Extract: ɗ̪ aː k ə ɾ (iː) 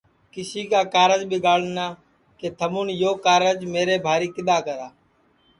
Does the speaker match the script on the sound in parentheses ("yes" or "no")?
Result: no